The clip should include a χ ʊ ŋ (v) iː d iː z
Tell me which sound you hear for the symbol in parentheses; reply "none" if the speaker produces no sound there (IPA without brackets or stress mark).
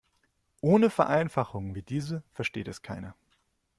v